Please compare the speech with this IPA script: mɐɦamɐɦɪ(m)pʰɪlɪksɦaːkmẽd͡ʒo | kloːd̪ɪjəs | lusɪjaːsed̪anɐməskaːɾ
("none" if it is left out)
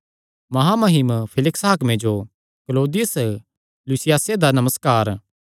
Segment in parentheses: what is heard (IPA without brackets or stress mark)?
m